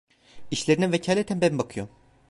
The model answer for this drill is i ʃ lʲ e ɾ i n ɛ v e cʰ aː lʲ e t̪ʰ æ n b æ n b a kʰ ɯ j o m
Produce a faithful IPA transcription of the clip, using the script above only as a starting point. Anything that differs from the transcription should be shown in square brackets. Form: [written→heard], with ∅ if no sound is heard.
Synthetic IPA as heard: i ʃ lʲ e ɾ i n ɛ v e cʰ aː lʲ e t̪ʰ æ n b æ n b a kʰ ɯ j o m

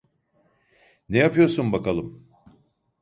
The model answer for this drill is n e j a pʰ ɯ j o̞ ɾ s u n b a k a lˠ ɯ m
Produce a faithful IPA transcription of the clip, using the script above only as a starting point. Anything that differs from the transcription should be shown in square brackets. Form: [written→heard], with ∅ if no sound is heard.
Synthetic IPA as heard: n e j a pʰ ɯ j o̞ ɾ s u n b a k a lˠ ɯ m

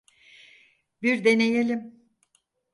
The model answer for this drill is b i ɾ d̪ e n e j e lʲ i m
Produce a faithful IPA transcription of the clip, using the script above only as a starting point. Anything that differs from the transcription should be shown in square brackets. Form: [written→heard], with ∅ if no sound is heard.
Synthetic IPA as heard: b i ɾ d̪ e n e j e lʲ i m

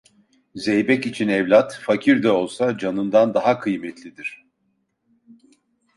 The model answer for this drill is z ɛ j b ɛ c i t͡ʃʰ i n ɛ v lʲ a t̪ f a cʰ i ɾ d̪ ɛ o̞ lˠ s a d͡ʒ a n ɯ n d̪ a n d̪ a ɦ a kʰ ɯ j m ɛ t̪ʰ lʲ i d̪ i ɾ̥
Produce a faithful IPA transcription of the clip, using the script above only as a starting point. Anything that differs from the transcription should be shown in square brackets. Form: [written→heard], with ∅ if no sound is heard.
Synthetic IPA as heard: z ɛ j b ɛ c i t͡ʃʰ i n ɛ v lʲ a t̪ f a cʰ i ɾ d̪ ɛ o̞ lˠ s a d͡ʒ a n ɯ n d̪ a n d̪ a ɦ a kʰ ɯ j m ɛ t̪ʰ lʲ i d̪ i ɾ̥

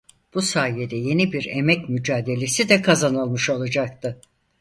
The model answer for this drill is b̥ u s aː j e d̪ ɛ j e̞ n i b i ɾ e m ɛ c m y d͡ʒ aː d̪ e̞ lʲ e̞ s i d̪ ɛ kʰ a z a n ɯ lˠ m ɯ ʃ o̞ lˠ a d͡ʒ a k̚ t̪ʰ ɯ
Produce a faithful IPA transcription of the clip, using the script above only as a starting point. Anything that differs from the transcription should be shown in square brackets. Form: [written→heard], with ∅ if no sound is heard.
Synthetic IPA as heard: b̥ u s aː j e d̪ ɛ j e̞ n i b i ɾ e m ɛ c m y d͡ʒ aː d̪ e̞ lʲ e̞ s i d̪ ɛ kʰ a z a n ɯ lˠ m ɯ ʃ o̞ lˠ a d͡ʒ a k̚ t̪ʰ ɯ

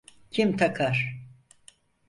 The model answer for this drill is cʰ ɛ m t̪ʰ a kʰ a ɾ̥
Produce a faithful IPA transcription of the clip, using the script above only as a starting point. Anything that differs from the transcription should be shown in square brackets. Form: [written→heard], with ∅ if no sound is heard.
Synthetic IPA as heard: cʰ [ɛ→i] m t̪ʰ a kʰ a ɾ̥

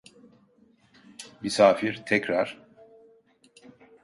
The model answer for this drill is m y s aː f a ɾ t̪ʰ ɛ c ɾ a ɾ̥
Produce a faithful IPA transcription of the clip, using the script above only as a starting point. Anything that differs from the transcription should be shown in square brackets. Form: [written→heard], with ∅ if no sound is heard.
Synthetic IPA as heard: m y s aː f [a→i] ɾ t̪ʰ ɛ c ɾ a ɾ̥

